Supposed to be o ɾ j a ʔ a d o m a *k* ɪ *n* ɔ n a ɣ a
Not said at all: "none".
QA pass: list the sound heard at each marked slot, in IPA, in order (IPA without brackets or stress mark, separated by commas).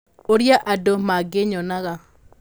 ɡ, ɲ